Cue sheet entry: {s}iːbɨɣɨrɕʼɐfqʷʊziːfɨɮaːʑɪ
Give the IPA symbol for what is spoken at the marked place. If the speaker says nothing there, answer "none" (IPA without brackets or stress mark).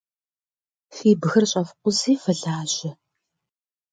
f